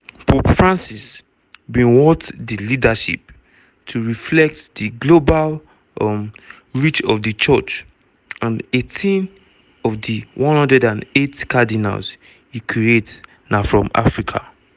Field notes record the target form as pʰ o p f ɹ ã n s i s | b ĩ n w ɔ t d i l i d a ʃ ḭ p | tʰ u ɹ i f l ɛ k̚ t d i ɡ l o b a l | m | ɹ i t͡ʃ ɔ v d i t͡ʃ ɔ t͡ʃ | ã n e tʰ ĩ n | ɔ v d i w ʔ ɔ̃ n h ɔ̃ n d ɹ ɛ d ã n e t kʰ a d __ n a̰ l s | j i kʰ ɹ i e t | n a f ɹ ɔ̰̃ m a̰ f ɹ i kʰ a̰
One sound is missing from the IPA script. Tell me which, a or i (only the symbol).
i